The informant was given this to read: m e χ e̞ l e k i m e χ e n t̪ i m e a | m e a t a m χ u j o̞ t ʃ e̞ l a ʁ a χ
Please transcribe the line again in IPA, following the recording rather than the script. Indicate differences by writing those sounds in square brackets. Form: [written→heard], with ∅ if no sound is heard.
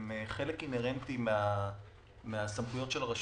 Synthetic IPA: m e χ e̞ l e k i [m→n] e [χ→ʁ] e n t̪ i m e a | m e a [t→s] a m χ u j o̞ t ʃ e̞ l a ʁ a [χ→ʃ]

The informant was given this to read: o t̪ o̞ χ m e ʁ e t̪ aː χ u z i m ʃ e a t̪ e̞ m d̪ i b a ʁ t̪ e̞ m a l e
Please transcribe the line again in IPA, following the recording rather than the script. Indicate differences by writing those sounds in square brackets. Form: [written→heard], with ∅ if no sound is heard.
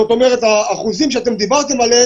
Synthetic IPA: o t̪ o̞ [χ→∅] m e ʁ e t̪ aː χ u z i m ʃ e a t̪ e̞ m d̪ i b a ʁ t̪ e̞ m a l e

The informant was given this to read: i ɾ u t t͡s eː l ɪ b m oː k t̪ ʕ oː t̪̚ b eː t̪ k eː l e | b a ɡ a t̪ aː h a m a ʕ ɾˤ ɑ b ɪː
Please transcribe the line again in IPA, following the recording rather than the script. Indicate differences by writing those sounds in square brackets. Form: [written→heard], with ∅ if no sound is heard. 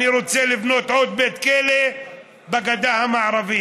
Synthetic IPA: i ɾ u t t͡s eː l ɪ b [m→n] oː [k→∅] t̪ ʕ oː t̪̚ b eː t̪ k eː l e | b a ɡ a [t̪→d̪] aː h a m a ʕ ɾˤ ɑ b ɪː

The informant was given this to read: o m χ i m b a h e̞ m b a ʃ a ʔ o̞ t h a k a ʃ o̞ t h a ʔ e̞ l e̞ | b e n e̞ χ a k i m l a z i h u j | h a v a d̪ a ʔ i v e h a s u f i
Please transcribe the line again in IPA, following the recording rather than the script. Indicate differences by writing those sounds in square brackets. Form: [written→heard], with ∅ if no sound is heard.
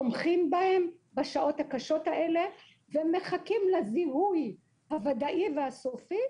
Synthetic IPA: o m χ i m b a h e̞ m b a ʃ a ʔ o̞ t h a k a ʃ o̞ t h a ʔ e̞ l e̞ | [b→v] e [n→m] e̞ χ a k i m l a z i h u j | h a v a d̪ a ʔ i v e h a s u f i

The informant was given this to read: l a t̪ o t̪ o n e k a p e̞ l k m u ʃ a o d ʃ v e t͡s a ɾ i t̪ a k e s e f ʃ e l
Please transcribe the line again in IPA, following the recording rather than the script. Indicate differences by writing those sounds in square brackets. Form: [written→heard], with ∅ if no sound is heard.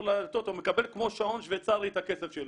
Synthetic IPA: l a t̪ o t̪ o [n→m] e k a [p→b] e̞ l k m [u→o] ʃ a o [d→n] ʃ v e t͡s a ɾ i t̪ a k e s e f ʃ e l

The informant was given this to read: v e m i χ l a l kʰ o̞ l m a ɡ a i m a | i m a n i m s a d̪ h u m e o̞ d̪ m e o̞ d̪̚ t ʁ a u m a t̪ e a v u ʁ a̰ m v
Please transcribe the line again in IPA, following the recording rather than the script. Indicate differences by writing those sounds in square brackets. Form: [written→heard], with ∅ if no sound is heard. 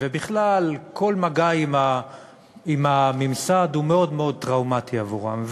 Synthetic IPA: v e [m→b] i χ l a l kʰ o̞ l m a ɡ a i m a | i m a [n→m] i m s a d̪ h u m e o̞ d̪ m e o̞ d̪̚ t ʁ a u m a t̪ [e→i] a v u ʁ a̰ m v

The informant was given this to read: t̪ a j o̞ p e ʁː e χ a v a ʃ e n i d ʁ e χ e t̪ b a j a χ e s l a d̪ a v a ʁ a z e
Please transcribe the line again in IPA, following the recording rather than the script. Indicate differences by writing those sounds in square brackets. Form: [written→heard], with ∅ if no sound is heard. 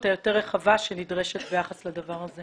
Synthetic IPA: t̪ a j o̞ [p→t] e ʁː e χ a v a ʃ e n i d ʁ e [χ→ʃ] e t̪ b [a→e] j a χ [e→a] s l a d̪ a v a ʁ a z e

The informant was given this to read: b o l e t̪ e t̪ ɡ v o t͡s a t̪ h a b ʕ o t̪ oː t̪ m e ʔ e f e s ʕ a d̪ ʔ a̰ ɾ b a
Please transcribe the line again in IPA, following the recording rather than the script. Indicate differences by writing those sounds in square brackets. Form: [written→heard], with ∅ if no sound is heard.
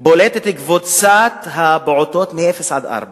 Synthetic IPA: b o l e t̪ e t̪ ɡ v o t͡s a t̪ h a b ʕ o t̪ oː t̪ m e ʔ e f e s ʕ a d̪ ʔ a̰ ɾ b a

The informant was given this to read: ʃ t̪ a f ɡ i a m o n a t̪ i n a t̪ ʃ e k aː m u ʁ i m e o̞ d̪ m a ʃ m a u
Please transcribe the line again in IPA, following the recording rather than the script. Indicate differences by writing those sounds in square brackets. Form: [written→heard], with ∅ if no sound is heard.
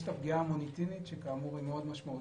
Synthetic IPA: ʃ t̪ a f ɡ i a m o n [a→i] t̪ i n [a→i] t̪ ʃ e k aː m u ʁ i m e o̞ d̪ m a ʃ m a u

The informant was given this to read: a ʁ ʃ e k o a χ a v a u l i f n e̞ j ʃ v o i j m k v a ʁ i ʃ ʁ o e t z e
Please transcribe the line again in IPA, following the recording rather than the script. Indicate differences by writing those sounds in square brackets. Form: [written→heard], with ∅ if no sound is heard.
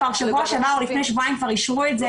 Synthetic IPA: a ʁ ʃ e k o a [χ→ʃ] a v a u l i f n e̞ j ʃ v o [i→a] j m k v a ʁ i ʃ ʁ [o→u] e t z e

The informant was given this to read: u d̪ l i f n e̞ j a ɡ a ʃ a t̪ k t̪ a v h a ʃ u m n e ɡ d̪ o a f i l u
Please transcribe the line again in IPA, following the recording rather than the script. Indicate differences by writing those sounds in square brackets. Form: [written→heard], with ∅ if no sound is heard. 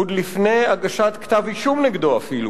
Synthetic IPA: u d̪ l i f n e̞ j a ɡ a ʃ a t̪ k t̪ a v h [a→i] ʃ u m n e ɡ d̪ o a f i l u

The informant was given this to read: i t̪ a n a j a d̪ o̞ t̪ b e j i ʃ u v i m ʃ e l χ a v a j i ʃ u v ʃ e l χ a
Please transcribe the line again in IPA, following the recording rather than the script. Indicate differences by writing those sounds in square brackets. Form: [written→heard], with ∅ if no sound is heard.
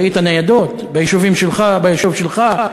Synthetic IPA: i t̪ a n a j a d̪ o̞ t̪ b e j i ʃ u v i m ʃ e l χ a [v→b] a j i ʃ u v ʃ e l χ a

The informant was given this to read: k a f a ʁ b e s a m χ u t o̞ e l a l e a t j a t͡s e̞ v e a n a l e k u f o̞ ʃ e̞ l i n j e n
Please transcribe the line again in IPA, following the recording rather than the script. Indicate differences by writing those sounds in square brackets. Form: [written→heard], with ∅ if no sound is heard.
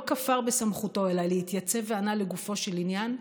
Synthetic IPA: k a f a ʁ b e s a m χ u t o̞ e l a l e [a→i] t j a t͡s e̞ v e a n a l e [k→ɡ] u f o̞ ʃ e̞ l i n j [e→a] n

